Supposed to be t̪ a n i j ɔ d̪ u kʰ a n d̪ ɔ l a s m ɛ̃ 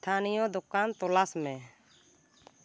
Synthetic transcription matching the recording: t̪ʰ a n i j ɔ d̪ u k a n t̪ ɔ l a s m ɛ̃

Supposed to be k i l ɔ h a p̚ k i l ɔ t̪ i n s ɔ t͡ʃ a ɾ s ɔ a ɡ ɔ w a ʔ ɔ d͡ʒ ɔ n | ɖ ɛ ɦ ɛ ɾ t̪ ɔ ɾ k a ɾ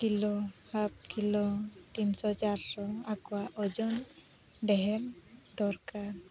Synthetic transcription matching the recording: k i l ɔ h a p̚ k i l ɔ t̪ i n s ɔ t͡ʃ a ɾ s ɔ a k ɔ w a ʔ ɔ d͡ʒ ɔ n | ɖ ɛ ɦ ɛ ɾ d̪ ɔ ɾ k a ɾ

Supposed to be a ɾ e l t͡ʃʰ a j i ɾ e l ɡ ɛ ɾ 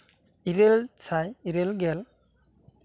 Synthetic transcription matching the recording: i ɾ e l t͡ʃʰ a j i ɾ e l ɡ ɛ l

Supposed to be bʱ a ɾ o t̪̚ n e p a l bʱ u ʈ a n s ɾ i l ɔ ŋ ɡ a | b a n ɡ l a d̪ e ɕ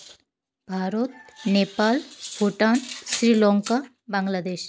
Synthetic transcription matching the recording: bʱ a ɾ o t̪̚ n e p a l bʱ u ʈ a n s ɾ i l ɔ ŋ k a | b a ŋ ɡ l a d̪ e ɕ

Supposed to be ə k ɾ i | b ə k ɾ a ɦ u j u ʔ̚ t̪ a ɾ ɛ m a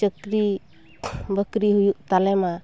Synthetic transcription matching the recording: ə k ɾ i | b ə k ɾ i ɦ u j u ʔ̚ t̪ a l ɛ m a

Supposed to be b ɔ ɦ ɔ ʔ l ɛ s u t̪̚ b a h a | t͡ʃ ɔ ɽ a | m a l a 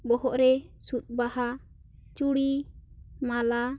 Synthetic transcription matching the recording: b ɔ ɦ ɔ ʔ ɾ ɛ s u t̪̚ b a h a | t͡ʃ u ɽ i | m a l a

